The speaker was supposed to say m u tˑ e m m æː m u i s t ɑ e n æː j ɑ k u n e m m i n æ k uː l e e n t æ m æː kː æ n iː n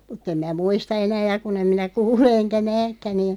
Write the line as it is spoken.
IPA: m u tˑ e m m æː m u i s t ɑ e n æː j ɑ k u n e m m i n æ k uː l e e n k æ n æː kː æ n iː n